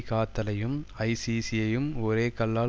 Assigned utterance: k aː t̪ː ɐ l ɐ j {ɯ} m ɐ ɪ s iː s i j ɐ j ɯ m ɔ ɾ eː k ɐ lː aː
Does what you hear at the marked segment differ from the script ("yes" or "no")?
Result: no